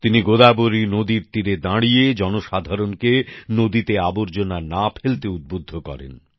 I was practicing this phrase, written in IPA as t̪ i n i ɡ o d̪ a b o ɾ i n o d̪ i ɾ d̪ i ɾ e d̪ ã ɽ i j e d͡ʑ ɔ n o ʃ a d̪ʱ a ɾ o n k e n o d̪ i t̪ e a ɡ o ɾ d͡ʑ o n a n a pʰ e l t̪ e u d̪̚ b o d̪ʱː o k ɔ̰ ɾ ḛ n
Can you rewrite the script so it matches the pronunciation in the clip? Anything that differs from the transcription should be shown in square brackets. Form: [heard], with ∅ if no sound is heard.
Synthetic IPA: t̪ i n i ɡ o d̪ a b o ɾ i n o d̪ i ɾ [t̪] i ɾ e d̪ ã ɽ i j e d͡ʑ ɔ n o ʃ a d̪ʱ a ɾ o n k e n o d̪ i t̪ e a [b] o ɾ d͡ʑ o n a n a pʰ e l t̪ e u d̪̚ b o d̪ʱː o k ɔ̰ ɾ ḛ n

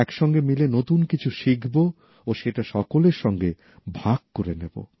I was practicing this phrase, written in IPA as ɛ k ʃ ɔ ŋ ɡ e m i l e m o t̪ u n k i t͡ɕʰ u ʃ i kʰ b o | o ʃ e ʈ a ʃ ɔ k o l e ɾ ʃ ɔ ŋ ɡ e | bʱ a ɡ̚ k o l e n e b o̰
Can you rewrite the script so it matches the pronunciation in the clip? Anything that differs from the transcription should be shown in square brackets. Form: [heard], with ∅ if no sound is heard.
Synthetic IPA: ɛ k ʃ ɔ ŋ ɡ e m i l e [n] o t̪ u n k i t͡ɕʰ u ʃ i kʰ b o | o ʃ e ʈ a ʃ ɔ k o l e ɾ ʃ ɔ ŋ ɡ e | bʱ a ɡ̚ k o [ɾ] e n e b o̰

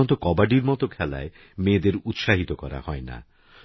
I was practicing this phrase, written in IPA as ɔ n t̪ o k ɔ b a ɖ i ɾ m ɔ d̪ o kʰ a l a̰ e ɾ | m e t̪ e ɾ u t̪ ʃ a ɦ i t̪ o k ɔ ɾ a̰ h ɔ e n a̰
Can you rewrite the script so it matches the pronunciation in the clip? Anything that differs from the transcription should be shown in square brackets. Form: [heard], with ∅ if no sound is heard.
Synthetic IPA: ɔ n t̪ o k ɔ b a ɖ i ɾ m ɔ [t̪] o kʰ [ɛ] l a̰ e [∅] | m e [d̪] e ɾ u t̪ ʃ a ɦ i t̪ o k ɔ ɾ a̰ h ɔ e n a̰

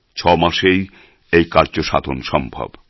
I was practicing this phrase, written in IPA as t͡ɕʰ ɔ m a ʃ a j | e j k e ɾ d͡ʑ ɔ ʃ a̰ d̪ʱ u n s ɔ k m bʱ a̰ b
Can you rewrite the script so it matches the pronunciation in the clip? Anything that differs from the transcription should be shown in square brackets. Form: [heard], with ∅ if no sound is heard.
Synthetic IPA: t͡ɕʰ ɔ m a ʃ [e] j | e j k [a] ɾ d͡ʑ [o] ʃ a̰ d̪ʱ [o] n [ʃ] ɔ [∅] m bʱ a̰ b

